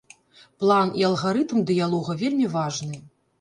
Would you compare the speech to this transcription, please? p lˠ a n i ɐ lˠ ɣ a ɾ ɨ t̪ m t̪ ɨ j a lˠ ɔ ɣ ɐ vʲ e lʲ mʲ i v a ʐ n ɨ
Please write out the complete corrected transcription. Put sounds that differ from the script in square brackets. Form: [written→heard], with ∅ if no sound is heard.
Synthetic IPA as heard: p lˠ a n i ɐ lˠ ɣ a ɾ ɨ t̪ m [t̪→d̪] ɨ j a lˠ ɔ ɣ ɐ vʲ e lʲ mʲ i v a ʐ n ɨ

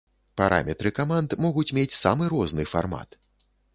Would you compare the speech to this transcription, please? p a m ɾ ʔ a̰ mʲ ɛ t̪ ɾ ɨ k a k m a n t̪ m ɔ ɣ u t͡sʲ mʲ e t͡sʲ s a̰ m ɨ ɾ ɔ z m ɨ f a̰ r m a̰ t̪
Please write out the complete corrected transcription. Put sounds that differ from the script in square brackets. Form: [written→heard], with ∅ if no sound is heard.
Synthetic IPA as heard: p a [m→∅] ɾ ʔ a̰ mʲ ɛ t̪ ɾ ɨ k a [k→∅] m a n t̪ m ɔ ɣ u t͡sʲ mʲ e t͡sʲ s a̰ m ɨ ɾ ɔ z [m→n] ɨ f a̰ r m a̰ t̪

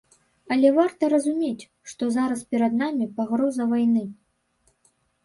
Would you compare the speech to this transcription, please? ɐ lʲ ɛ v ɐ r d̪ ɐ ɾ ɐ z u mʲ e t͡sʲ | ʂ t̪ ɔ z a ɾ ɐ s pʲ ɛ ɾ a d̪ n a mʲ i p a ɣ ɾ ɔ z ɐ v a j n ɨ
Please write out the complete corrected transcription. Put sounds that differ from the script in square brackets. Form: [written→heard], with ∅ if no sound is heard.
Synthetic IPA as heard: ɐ lʲ ɛ v [ɐ→a] r [d̪→t̪] ɐ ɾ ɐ z u mʲ e t͡sʲ | ʂ t̪ ɔ z a ɾ ɐ s pʲ ɛ ɾ [a→ɐ] d̪ n a mʲ i p a ɣ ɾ ɔ z ɐ v a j n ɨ

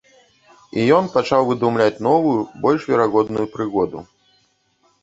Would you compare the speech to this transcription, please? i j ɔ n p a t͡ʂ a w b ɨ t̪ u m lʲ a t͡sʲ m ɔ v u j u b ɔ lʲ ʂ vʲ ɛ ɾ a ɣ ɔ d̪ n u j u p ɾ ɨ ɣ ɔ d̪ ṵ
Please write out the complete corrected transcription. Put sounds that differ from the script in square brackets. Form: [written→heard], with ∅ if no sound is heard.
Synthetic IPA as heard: i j ɔ n p a t͡ʂ a w [b→v] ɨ [t̪→d̪] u m lʲ a t͡sʲ [m→n] ɔ v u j u b ɔ lʲ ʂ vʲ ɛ ɾ a ɣ ɔ d̪ n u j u p ɾ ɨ ɣ ɔ d̪ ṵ

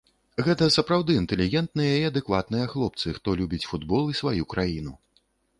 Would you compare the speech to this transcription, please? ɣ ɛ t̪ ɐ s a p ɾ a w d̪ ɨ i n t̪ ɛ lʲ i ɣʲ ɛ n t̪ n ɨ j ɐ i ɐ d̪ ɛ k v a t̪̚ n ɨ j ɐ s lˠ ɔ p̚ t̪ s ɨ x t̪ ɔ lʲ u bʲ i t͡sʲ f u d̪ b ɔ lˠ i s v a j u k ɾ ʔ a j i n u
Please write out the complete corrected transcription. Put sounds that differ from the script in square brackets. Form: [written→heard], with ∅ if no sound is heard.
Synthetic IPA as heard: ɣ ɛ t̪ ɐ s [a→ɐ] p ɾ a w d̪ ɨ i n t̪ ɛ lʲ i ɣʲ ɛ n t̪ n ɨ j ɐ i ɐ d̪ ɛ k v a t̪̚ n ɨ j ɐ [s→x] lˠ ɔ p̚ t̪ s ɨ x t̪ ɔ lʲ u bʲ i t͡sʲ f u d̪ b ɔ lˠ i s v a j u k ɾ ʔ a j i n u

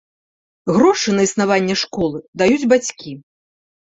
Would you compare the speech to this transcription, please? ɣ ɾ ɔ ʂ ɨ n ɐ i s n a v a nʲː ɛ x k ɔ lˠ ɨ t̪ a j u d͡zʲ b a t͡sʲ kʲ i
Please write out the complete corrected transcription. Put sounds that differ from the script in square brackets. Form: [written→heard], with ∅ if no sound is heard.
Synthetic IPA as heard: ɣ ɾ ɔ ʂ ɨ n ɐ i s n a v a nʲː ɛ [x→ʂ] k ɔ lˠ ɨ [t̪→d̪] a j u d͡zʲ b a t͡sʲ kʲ i

